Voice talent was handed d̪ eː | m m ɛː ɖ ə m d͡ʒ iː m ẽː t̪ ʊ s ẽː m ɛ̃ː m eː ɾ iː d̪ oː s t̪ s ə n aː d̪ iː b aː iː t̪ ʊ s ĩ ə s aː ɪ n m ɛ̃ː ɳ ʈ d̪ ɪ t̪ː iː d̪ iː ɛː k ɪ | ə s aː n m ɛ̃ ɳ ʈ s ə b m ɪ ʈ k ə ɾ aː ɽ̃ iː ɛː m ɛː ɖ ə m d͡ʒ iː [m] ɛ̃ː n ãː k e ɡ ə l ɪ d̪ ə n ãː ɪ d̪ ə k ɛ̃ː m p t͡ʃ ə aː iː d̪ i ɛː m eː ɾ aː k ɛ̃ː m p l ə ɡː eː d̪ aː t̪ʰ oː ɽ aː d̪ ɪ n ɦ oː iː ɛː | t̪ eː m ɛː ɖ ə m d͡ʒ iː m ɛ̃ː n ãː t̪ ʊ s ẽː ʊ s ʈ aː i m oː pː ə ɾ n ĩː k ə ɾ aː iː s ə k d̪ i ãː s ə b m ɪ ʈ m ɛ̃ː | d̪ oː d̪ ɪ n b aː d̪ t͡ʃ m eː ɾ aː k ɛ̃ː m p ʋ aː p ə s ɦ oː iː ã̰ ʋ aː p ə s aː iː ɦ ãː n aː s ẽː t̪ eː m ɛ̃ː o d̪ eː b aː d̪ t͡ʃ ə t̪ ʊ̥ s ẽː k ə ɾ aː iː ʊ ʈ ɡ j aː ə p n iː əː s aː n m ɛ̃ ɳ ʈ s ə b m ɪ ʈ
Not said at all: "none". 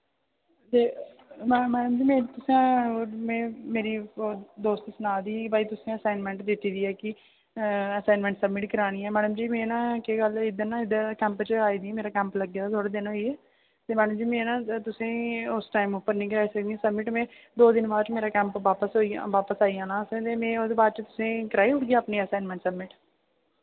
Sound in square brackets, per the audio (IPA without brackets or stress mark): m